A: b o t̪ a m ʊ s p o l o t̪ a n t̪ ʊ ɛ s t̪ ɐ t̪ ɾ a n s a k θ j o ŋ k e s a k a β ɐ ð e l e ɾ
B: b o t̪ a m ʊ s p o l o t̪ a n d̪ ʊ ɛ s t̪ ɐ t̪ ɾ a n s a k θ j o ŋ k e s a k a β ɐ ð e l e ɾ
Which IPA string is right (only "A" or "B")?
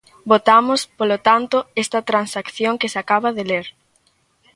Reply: A